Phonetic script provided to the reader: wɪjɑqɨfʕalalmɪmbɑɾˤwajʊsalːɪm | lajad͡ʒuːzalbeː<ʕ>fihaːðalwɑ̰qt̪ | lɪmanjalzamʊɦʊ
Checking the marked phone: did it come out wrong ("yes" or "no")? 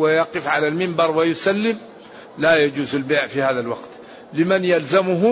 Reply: no